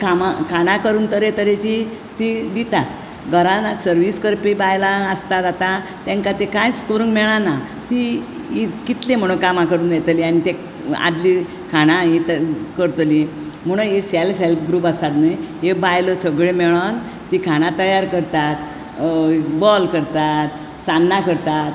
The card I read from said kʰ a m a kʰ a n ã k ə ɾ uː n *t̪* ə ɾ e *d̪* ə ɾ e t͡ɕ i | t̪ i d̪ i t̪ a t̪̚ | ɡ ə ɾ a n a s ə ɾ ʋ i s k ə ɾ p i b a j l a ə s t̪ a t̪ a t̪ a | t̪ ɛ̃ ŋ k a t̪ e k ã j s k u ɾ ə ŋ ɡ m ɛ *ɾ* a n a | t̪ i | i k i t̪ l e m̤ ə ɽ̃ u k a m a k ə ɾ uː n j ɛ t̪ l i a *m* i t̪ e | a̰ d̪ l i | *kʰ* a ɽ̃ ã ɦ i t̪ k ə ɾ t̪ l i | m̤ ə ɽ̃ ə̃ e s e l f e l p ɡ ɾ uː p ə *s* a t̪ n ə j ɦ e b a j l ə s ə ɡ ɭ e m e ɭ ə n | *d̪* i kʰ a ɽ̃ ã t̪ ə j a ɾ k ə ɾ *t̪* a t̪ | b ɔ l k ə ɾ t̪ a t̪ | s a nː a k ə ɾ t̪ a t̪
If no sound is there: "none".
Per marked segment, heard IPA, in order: t̪, t̪, ɭ, n, kʰ, s, t̪, t̪

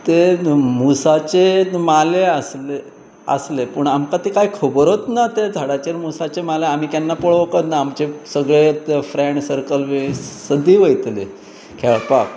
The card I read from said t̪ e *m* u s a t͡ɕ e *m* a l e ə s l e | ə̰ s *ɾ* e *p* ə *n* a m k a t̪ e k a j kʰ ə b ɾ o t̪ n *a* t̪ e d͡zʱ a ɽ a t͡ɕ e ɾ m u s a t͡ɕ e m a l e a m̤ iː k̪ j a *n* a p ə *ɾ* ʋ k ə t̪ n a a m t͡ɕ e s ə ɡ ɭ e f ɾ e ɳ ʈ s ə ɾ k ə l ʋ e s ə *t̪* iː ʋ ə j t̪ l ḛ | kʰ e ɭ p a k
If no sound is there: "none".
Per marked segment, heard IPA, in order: m, m, l, p, ɳ, a, nː, ɭ, d̪

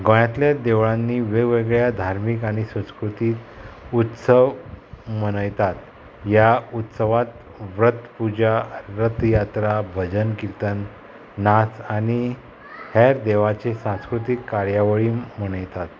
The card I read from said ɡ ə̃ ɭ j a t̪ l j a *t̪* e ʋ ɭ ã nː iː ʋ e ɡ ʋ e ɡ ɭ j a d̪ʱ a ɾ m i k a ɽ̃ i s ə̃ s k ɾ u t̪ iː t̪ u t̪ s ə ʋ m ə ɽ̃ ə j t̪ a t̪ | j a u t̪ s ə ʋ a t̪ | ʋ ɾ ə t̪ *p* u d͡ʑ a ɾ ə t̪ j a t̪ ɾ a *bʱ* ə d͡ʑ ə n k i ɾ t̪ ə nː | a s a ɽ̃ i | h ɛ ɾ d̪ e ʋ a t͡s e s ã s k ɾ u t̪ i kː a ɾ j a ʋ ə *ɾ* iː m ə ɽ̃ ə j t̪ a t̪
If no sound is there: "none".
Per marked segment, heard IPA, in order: d̪, p, bʱ, ɭ

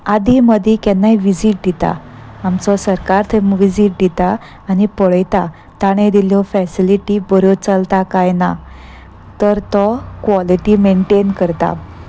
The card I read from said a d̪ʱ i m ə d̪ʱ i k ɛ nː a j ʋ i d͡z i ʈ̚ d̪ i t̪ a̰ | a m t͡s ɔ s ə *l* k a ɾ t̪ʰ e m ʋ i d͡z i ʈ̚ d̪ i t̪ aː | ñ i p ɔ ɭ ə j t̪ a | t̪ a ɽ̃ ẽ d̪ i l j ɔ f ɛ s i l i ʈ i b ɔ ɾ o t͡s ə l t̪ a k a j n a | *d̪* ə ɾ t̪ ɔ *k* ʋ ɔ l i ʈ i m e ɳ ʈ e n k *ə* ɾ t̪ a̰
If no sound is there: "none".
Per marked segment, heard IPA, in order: ɾ, t̪, k, ə

